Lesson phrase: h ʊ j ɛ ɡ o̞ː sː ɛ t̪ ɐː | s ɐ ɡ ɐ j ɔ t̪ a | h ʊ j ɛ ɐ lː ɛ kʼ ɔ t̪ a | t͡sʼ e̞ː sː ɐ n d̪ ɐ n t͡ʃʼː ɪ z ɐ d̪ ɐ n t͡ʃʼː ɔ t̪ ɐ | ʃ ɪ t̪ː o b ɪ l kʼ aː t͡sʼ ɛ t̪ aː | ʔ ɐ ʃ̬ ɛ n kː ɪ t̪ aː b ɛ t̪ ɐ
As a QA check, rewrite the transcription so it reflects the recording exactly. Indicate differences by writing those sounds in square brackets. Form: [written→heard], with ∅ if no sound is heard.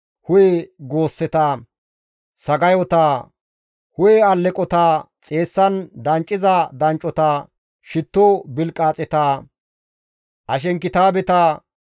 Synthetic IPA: h ʊ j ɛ ɡ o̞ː sː ɛ t̪ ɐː | s ɐ ɡ ɐ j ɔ t̪ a | h ʊ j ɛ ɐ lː ɛ kʼ ɔ t̪ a | t͡sʼ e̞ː sː ɐ n d̪ ɐ n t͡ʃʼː ɪ z ɐ d̪ ɐ n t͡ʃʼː ɔ t̪ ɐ | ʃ ɪ t̪ː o b ɪ l kʼ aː t͡sʼ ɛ t̪ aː | ʔ ɐ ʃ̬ ɛ [n→ŋ] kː ɪ t̪ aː b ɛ t̪ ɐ